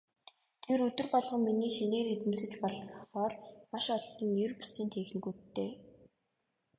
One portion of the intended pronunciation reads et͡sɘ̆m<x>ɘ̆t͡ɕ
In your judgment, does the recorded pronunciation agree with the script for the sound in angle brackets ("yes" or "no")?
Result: no